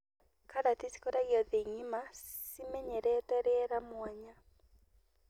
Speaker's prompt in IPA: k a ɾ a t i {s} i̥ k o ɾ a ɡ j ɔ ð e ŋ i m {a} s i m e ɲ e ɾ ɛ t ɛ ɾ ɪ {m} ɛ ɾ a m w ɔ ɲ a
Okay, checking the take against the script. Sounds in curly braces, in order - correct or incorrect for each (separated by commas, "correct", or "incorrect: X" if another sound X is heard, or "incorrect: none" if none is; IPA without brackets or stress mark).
correct, correct, incorrect: none